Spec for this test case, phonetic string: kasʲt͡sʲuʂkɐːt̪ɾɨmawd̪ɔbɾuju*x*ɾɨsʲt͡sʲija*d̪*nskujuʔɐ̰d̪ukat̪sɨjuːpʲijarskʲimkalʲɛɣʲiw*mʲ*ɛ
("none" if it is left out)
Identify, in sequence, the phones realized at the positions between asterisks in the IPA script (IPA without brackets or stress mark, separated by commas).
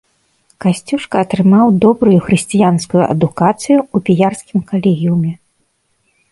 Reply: x, none, mʲ